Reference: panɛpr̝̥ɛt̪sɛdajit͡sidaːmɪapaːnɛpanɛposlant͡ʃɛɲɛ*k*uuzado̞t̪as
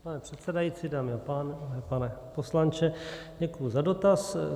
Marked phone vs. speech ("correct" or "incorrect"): correct